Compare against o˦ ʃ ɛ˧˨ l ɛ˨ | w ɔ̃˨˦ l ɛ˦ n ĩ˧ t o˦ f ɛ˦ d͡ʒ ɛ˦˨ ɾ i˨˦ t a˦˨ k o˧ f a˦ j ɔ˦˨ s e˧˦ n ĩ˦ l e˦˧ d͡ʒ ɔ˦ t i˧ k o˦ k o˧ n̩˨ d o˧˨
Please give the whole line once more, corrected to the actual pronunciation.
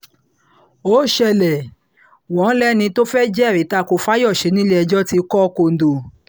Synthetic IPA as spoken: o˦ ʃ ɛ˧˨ l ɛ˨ | w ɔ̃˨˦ l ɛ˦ n ĩ˧ t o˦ f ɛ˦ d͡ʒ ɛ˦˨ ɾ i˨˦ t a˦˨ k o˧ f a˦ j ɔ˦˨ ʃ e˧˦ n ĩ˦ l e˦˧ d͡ʒ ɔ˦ t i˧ k ɔ˦ k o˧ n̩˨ d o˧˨

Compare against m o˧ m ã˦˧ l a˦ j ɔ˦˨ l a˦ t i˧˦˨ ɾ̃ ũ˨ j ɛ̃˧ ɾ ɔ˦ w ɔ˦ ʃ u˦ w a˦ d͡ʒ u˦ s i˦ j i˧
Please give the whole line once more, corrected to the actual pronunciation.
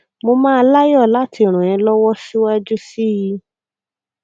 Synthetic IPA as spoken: m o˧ m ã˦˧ l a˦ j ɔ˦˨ l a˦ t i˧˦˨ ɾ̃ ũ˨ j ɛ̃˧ l ɔ˦ w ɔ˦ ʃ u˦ w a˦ d͡ʒ u˦ s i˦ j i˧

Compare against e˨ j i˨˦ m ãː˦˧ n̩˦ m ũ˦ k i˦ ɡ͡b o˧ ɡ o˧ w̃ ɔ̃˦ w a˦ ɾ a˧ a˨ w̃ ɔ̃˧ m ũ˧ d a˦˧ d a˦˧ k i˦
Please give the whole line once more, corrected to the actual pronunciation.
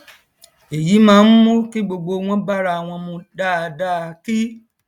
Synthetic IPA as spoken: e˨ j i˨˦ m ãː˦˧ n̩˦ m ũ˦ k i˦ ɡ͡b o˧ ɡ͡b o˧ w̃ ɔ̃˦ b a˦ ɾ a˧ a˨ w̃ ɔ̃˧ m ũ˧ d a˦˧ d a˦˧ k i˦

